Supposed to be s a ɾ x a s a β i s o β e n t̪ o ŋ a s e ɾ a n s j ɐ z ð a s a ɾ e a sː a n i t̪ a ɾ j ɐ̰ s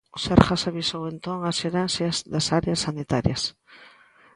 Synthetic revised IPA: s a ɾ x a s a β i s o w e n t̪ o ŋ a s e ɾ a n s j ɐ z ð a s a ɾ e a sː a n i t̪ a ɾ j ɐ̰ s